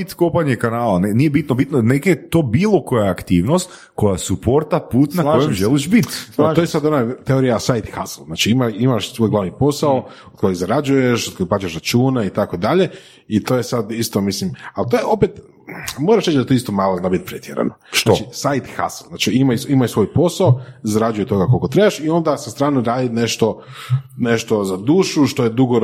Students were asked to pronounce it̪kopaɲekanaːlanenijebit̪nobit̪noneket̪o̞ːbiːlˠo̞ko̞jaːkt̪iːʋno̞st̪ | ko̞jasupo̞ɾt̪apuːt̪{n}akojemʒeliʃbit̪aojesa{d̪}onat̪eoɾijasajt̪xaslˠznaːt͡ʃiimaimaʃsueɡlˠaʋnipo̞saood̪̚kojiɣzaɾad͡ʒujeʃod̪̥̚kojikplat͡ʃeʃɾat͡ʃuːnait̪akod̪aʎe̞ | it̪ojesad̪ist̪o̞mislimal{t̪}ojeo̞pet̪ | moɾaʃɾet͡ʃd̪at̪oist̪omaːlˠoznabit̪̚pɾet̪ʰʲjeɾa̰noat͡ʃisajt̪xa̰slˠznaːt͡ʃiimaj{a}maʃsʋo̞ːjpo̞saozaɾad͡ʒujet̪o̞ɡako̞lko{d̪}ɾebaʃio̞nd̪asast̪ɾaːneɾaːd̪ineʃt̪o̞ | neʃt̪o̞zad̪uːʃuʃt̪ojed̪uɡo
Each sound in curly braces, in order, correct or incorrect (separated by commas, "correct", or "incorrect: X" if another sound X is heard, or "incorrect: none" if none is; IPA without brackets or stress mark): correct, correct, correct, incorrect: i, incorrect: t̪